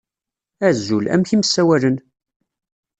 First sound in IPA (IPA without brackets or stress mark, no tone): æ